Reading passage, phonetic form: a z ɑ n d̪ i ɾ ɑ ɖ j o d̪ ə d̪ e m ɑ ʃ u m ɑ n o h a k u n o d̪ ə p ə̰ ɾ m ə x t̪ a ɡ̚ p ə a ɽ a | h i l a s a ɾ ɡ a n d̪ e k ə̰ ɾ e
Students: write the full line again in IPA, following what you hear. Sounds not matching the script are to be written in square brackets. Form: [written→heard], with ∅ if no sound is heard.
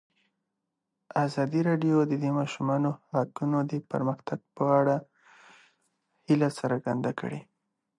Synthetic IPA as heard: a z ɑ [n→∅] d̪ i ɾ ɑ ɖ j o d̪ ə d̪ e m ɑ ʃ u m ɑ n o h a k u n o d̪ ə p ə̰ ɾ m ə x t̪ a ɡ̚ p ə a ɽ a | h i l a s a ɾ ɡ a n d̪ [e→a] k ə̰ [ɾ→ɽ] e